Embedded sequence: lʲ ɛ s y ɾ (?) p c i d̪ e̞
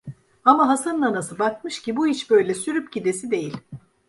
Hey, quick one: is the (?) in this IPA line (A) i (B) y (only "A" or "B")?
B